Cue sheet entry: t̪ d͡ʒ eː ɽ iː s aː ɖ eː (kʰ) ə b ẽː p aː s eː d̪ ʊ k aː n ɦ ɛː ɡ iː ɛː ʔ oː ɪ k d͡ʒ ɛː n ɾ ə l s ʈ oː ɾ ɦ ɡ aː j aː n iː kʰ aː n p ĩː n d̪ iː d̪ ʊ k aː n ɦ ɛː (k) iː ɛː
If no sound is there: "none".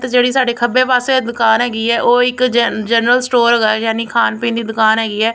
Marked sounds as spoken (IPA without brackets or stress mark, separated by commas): kʰ, ɡ